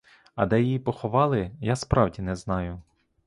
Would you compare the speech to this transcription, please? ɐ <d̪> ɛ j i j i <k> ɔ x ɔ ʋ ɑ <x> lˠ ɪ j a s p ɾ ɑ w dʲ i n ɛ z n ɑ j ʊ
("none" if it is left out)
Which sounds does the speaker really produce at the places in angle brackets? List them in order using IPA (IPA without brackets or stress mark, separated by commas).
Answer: d̪, p, none